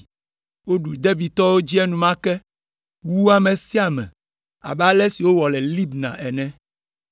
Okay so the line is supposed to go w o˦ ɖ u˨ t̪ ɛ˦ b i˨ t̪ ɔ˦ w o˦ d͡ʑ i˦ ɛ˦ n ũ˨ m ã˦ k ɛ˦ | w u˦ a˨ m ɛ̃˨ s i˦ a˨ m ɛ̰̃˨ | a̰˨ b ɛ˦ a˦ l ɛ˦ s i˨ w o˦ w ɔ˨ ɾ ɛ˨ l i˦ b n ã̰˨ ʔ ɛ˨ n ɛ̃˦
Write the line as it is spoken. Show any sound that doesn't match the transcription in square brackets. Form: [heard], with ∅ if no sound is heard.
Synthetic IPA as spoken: w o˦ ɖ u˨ [d̪] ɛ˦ b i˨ t̪ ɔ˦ w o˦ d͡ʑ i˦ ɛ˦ n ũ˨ m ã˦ k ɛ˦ | w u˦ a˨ m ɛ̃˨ s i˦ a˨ m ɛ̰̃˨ | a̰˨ b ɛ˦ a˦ l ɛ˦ s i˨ w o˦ w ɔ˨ [l] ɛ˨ l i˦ b n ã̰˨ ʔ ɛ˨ n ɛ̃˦